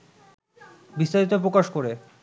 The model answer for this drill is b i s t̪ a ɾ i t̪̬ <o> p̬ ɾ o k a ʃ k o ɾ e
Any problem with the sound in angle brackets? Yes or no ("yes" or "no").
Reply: no